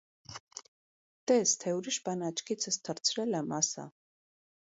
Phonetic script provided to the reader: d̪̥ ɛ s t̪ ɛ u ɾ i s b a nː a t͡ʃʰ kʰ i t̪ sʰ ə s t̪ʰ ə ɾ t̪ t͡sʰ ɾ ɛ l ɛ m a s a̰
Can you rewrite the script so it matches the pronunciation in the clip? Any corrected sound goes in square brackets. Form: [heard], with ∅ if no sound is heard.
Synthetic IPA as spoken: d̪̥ ɛ s [t̪ʰ] ɛ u ɾ i [ʃ] b a [n] a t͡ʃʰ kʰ i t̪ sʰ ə s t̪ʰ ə ɾ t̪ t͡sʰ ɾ ɛ l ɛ m a s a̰